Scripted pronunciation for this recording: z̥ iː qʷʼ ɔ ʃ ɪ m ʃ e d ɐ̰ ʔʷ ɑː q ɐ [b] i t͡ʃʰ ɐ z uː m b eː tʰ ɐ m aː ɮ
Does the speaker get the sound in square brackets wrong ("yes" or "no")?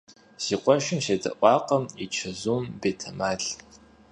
yes